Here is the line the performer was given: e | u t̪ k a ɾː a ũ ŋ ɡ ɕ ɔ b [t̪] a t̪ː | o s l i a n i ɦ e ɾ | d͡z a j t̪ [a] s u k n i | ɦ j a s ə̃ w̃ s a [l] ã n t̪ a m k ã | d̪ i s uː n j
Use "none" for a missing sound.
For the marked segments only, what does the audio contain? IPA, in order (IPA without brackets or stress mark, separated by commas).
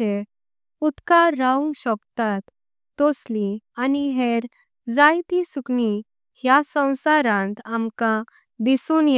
t̪, i, ɾ